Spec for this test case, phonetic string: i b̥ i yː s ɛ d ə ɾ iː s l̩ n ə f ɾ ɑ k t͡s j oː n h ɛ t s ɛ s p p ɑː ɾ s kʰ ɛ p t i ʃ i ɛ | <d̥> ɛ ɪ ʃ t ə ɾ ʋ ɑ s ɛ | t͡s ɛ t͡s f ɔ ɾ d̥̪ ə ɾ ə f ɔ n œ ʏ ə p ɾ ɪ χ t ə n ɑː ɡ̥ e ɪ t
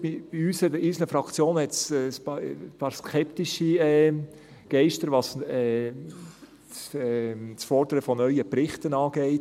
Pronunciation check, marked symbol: incorrect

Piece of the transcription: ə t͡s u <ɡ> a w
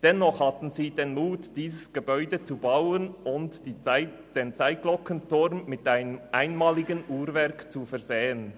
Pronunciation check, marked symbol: incorrect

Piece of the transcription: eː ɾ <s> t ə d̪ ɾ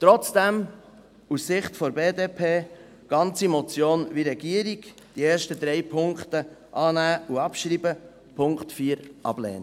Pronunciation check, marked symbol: incorrect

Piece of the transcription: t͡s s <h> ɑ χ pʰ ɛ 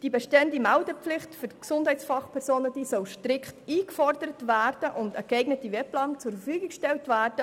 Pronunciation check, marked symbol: incorrect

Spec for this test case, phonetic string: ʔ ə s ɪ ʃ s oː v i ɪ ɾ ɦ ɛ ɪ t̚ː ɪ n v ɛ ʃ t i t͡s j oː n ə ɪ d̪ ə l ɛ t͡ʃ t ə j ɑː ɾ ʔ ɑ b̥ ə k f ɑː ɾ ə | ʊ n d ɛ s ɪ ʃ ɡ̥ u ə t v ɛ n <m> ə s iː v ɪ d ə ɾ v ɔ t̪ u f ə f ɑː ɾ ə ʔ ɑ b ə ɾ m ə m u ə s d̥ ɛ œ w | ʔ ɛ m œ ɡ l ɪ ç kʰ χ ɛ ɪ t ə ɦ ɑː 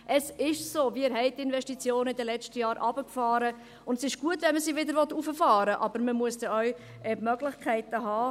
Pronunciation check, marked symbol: correct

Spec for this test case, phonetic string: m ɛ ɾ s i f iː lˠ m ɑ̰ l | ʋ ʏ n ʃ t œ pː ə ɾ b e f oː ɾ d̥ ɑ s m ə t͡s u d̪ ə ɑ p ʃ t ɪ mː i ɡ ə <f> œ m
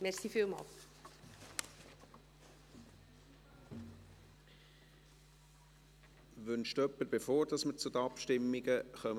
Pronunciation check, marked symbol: incorrect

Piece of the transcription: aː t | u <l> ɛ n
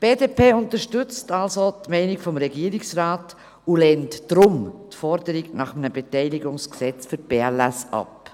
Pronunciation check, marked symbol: correct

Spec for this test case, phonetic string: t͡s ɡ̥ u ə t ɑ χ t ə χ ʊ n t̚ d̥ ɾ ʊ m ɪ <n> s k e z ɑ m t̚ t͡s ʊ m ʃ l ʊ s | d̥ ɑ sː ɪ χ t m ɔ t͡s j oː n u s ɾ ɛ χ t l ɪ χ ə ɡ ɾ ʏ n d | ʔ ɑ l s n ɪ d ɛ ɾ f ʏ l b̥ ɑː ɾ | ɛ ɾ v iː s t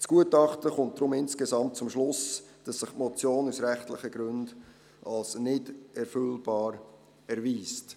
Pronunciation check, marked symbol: correct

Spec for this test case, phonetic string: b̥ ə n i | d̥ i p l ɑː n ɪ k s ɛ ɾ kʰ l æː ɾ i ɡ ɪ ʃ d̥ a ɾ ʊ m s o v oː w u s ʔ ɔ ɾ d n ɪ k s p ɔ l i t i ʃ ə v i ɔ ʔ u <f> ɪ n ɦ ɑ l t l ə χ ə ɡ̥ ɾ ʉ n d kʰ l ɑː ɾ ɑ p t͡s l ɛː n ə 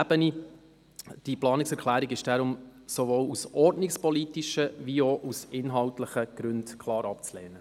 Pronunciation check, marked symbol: incorrect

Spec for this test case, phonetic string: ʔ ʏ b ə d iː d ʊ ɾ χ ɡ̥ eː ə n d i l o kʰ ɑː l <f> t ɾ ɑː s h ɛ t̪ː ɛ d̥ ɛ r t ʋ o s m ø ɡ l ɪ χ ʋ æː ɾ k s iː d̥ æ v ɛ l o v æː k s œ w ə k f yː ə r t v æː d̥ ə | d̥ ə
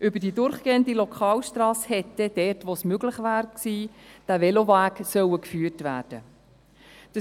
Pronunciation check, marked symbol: incorrect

